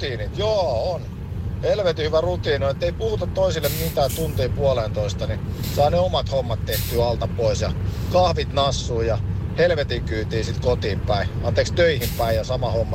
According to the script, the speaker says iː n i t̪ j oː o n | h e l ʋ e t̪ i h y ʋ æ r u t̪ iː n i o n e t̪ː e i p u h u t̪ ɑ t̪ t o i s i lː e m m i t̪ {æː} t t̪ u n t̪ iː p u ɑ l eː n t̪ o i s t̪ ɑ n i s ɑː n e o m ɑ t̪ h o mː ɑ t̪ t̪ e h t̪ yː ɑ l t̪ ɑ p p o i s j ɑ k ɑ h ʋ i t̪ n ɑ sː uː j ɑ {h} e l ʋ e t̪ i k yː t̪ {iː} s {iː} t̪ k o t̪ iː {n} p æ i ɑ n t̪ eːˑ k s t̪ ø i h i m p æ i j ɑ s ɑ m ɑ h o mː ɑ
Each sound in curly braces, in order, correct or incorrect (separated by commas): correct, correct, correct, incorrect, incorrect